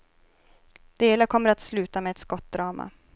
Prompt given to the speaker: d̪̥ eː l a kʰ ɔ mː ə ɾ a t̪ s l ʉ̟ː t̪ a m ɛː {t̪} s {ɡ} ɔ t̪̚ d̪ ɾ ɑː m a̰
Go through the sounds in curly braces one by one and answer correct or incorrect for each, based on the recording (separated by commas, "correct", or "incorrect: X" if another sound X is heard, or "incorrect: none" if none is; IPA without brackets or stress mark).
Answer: correct, incorrect: k